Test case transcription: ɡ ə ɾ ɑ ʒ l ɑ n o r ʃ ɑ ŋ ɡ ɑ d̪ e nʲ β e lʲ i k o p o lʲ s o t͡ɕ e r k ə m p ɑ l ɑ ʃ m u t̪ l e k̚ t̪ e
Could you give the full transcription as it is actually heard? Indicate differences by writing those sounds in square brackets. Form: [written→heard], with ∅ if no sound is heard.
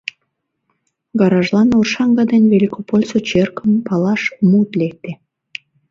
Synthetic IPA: ɡ [ə→ɑ] ɾ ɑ ʒ l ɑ n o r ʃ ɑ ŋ ɡ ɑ d̪ e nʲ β e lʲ i k o p o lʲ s o t͡ɕ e r k ə m p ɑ l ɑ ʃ m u t̪ l e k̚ t̪ e